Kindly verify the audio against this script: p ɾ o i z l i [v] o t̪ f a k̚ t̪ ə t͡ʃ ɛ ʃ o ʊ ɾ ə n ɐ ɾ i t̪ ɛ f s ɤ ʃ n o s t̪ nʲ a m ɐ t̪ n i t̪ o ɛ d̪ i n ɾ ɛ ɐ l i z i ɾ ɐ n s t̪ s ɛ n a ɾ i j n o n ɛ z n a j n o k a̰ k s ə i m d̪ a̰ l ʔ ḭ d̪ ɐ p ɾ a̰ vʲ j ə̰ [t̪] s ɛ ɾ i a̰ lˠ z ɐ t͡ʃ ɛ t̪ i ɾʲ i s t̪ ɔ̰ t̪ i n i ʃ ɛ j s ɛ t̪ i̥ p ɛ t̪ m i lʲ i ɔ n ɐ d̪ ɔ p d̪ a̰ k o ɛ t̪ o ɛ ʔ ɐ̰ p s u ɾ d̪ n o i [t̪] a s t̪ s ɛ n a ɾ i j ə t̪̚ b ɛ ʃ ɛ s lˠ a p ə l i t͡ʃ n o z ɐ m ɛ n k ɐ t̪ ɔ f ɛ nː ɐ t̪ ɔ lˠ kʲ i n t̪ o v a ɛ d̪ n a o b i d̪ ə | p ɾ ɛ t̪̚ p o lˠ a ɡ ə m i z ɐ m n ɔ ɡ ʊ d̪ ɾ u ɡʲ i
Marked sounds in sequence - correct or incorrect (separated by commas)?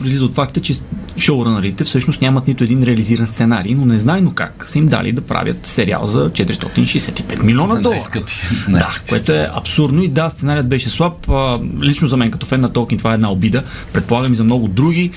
incorrect, correct, incorrect